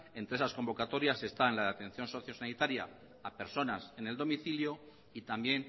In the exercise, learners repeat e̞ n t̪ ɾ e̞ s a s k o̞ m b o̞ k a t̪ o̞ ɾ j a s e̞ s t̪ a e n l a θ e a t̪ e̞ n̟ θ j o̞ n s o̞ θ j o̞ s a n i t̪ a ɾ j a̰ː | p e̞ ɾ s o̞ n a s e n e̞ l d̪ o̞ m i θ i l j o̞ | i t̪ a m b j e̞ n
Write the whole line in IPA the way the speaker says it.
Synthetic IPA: e̞ n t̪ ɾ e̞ s a s k o̞ m b o̞ k a t̪ o̞ ɾ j a s e̞ s t̪ a e n l a ð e a t̪ e̞ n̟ θ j o̞ n s o̞ θ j o̞ s a n i t̪ a ɾ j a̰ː | p e̞ ɾ s o̞ n a s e n e̞ l d̪ o̞ m i θ i l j o̞ | i t̪ a m b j e̞ n